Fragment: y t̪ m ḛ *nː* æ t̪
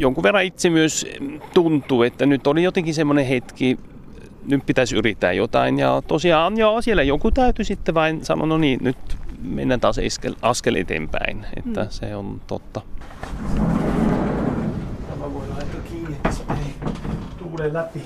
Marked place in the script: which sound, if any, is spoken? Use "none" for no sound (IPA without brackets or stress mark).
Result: nː